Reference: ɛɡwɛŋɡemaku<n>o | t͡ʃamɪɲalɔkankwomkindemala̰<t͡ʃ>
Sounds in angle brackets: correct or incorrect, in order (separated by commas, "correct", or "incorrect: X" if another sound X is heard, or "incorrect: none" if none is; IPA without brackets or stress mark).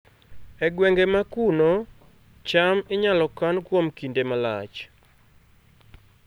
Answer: correct, correct